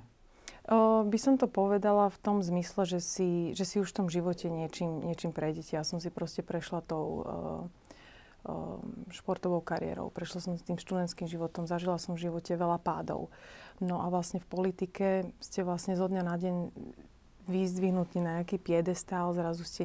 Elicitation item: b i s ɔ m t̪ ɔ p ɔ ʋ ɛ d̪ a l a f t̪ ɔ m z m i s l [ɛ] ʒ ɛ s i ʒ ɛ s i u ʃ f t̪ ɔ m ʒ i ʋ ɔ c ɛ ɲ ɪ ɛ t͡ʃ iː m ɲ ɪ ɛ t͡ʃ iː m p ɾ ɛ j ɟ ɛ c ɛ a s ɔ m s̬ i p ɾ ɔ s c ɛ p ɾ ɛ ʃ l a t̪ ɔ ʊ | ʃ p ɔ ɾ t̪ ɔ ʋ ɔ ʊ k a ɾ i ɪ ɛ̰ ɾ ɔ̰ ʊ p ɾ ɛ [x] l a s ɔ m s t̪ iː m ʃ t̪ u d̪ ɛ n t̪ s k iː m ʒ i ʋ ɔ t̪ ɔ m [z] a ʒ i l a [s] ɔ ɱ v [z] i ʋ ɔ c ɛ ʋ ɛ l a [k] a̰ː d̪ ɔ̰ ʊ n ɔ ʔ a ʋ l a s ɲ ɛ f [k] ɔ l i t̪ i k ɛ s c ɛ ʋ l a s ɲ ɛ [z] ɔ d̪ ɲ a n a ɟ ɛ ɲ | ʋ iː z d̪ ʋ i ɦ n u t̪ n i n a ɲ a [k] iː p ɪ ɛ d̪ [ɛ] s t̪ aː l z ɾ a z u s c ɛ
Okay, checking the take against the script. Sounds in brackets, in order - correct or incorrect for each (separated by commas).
correct, incorrect, correct, correct, incorrect, incorrect, incorrect, correct, correct, correct